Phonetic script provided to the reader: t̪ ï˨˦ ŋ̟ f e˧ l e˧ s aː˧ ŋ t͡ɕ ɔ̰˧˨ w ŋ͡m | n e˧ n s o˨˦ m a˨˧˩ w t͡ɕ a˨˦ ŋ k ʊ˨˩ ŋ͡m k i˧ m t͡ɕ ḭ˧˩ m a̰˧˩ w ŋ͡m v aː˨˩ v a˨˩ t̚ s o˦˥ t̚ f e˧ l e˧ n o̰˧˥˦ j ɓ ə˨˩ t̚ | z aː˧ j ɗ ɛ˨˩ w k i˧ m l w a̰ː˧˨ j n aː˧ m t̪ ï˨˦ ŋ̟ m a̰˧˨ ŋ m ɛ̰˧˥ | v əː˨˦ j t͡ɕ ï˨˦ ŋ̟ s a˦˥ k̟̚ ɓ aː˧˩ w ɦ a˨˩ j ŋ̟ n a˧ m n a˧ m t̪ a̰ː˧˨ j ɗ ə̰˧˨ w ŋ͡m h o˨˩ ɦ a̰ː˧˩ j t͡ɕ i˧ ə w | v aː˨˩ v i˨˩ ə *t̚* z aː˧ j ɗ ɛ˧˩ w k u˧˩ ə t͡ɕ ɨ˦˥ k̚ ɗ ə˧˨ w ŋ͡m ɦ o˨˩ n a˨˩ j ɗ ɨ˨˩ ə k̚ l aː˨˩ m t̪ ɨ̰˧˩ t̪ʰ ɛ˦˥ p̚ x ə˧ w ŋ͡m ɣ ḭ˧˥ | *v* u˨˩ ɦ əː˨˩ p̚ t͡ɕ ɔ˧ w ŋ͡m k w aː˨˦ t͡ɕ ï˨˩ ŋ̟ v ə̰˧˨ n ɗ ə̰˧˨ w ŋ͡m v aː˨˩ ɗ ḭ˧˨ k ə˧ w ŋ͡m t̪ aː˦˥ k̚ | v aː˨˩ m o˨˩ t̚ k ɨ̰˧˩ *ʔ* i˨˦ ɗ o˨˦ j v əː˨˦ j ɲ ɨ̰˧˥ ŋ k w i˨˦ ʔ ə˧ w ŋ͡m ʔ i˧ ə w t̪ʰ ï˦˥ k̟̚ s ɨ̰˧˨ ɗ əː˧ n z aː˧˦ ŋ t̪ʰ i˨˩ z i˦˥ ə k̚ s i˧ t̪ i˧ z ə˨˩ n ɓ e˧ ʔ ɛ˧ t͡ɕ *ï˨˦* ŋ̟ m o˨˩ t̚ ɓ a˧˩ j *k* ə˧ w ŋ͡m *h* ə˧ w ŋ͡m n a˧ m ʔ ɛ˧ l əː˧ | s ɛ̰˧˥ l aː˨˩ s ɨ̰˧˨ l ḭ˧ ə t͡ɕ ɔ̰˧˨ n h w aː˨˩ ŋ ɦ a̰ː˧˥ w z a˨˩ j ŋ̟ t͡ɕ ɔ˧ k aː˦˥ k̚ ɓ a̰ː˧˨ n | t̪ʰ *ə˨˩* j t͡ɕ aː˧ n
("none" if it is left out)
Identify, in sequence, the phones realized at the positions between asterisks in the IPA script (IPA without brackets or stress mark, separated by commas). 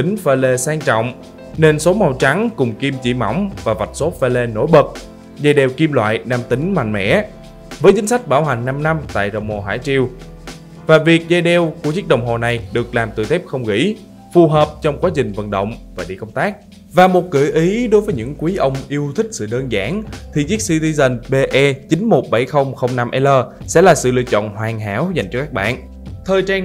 k̚, f, ʔ, ï˨˦, x, x, əː˨˩